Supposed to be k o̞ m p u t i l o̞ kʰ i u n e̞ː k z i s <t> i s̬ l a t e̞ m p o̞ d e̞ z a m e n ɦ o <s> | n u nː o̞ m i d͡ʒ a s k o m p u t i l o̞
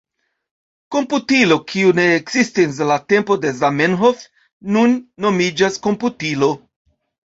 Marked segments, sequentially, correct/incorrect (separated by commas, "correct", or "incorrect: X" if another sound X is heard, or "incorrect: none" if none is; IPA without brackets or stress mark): correct, incorrect: f